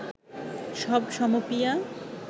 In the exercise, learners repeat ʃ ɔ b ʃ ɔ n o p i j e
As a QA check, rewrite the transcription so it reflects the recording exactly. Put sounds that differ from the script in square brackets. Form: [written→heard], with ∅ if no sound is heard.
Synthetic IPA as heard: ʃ ɔ b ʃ ɔ [n→m] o p i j [e→a]